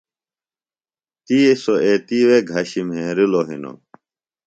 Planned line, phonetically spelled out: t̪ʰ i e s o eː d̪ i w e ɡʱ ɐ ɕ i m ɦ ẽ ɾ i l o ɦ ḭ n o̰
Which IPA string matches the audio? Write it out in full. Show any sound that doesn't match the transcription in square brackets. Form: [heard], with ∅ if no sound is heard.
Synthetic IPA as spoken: [t̪] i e s o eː [t̪] i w e ɡʱ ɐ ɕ i m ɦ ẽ ɾ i l o ɦ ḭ n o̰